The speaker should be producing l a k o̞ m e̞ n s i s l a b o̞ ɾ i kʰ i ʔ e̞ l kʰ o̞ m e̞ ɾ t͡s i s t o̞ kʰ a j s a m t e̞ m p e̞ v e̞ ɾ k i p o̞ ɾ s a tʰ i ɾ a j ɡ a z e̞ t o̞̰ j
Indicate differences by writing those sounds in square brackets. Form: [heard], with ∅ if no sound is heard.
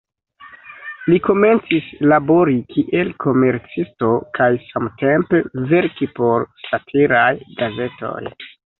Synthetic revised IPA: l [i] k o̞ m e̞ n [t͡s] i s l a b o̞ ɾ i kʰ i ʔ e̞ l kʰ o̞ m e̞ ɾ t͡s i s t o̞ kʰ a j s a m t e̞ m p e̞ v e̞ ɾ k i p o̞ ɾ s a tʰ i ɾ a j ɡ a z e̞ t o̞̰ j

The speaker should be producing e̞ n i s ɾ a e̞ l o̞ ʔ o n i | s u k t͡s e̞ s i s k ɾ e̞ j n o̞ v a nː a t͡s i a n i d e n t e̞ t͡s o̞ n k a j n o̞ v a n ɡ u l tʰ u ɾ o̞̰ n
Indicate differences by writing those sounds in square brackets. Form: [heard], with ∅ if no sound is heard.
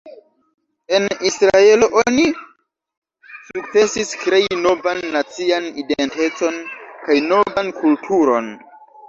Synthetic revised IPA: e̞ n i s ɾ a e̞ l o̞ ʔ o n i | s u k t͡s e̞ s i s k ɾ e̞ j n o̞ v a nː a t͡s i a n i d e n t e̞ t͡s o̞ n k a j n o̞ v a n [k] u l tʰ u ɾ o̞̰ n

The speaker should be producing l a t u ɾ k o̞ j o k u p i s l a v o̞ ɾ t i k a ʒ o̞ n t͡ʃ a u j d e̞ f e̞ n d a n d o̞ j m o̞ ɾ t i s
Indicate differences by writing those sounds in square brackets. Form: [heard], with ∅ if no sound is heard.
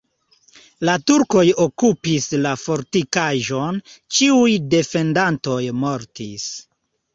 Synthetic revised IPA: l a t u ɾ k o̞ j o k u p i s l a [f] o̞ ɾ t i k a ʒ o̞ n t͡ʃ [i] u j d e̞ f e̞ n d a n [t] o̞ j m o̞ ɾ t i s

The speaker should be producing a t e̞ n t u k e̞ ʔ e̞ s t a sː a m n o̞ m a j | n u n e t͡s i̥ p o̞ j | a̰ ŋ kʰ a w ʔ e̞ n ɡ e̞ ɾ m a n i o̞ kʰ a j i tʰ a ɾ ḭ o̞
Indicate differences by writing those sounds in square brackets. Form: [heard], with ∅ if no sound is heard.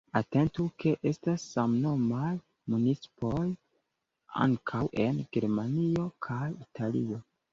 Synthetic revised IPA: a t e̞ n t u k e̞ ʔ e̞ s t a sː a m n o̞ m a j | [m] u n [i] t͡s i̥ p o̞ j | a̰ ŋ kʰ a w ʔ e̞ n ɡ e̞ ɾ m a n i o̞ kʰ a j i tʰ a [l] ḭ o̞

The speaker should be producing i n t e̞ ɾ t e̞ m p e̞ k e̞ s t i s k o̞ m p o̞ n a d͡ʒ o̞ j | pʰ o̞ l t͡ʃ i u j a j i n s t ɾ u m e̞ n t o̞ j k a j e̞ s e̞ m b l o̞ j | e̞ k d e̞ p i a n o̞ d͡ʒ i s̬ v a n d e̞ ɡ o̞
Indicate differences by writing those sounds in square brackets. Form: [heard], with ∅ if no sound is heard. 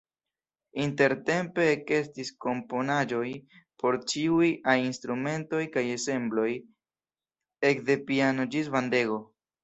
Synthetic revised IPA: i n t e̞ ɾ t e̞ m p e̞ k e̞ s t i s k o̞ m p o̞ n a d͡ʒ o̞ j | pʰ o̞ [ɾ] t͡ʃ i u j a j i n s t ɾ u m e̞ n t o̞ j k a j e̞ s e̞ m b l o̞ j | e̞ k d e̞ p i a n o̞ d͡ʒ i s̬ v a n d e̞ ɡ o̞

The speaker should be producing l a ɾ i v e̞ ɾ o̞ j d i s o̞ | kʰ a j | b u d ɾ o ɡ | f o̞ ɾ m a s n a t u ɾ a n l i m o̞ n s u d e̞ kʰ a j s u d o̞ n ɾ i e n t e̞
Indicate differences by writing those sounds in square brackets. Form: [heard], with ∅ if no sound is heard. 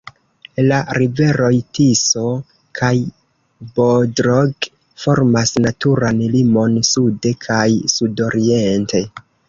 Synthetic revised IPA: l a ɾ i v e̞ ɾ o̞ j [t] i s o̞ | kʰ a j | b [o] d ɾ o ɡ | f o̞ ɾ m a s n a t u ɾ a n l i m o̞ n s u d e̞ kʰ a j s u d o̞ [∅] ɾ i e n t e̞

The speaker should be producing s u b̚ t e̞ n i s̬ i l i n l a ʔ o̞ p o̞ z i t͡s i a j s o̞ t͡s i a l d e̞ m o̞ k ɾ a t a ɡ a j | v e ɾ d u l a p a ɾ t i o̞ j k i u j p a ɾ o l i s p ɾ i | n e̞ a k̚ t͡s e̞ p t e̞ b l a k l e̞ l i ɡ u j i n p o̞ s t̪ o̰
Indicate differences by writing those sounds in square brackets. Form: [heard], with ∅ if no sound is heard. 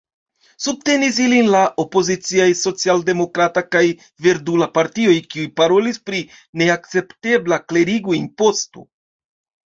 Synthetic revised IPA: s u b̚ t e̞ n i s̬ i l i n l a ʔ o̞ p o̞ z i t͡s i a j s o̞ t͡s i a l d e̞ m o̞ k ɾ a t a [k] a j | v e ɾ d u l a p a ɾ t i o̞ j k i u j p a ɾ o l i s p ɾ i | n e̞ a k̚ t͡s e̞ p t e̞ b l a k l e̞ [ɾ] i ɡ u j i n p o̞ s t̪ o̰

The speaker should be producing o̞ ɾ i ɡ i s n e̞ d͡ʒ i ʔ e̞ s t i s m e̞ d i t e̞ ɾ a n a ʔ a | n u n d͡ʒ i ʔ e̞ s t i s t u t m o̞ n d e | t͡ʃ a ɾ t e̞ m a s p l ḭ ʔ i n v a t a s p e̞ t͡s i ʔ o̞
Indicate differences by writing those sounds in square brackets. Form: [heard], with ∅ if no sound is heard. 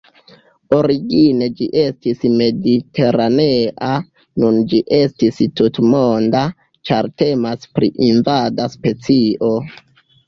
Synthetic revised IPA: o̞ ɾ i ɡ i [∅] n e̞ d͡ʒ i ʔ e̞ s t i s m e̞ d i t e̞ ɾ a n [e] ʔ a | n u n d͡ʒ i ʔ e̞ s t i s t u t m o̞ n d [a] | t͡ʃ a ɾ t e̞ m a s p [ɾ] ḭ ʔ i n v a [d] a s p e̞ t͡s i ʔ o̞

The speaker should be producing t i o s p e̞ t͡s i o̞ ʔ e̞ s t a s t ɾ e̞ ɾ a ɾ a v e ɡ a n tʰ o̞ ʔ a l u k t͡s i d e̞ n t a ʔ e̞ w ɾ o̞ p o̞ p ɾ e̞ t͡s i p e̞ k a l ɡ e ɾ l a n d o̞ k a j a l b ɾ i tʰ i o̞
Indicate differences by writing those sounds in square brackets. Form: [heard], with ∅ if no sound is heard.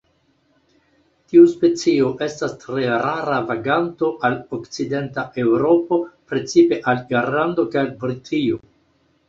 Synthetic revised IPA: t i [u] s p e̞ t͡s i o̞ ʔ e̞ s t a s t ɾ e̞ ɾ a ɾ a v [a] ɡ a n [t] o̞ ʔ a l [o] k t͡s i d e̞ n t a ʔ e̞ w ɾ o̞ p o̞ p ɾ e̞ t͡s i p e̞ [ʔ] a l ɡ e ɾ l a n d o̞ k a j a l b ɾ i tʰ i o̞

